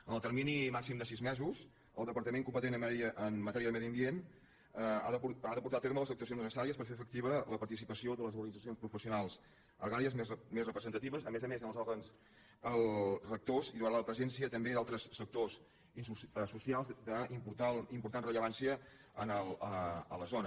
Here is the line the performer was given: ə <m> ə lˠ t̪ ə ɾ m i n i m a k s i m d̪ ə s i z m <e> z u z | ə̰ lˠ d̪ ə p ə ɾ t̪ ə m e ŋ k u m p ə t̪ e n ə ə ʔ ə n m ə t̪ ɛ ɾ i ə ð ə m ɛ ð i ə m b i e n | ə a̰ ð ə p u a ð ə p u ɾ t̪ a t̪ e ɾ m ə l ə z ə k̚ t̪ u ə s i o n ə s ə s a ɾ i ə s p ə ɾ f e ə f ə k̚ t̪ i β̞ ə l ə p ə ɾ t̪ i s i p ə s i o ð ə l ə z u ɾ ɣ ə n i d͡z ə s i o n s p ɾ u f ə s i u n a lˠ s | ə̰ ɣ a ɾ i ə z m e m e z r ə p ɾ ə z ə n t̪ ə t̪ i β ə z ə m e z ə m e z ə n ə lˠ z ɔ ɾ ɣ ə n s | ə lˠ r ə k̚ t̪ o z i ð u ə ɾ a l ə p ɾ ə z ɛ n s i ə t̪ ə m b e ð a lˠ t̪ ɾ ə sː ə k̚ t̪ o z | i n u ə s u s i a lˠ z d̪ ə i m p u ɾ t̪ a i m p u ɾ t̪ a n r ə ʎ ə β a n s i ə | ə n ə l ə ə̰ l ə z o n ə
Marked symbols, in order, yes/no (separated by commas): no, no